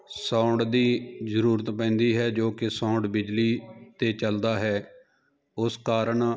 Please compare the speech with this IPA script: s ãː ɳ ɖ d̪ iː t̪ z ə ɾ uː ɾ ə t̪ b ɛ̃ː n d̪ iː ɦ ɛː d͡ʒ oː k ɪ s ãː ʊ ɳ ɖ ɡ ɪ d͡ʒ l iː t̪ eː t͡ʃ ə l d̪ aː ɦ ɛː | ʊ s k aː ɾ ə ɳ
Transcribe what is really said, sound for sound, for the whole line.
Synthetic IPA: s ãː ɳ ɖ d̪ iː z ə ɾ uː ɾ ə t̪ p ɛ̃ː n d̪ iː ɦ ɛː d͡ʒ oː k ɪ s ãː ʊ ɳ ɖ b ɪ d͡ʒ l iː t̪ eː t͡ʃ ə l d̪ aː ɦ ɛː | ʊ s k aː ɾ ə ɳ